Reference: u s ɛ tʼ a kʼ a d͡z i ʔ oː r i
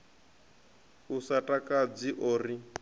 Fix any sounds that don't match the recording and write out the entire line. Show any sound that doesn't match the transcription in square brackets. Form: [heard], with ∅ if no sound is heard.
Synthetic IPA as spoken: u s [a] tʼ a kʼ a d͡z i ʔ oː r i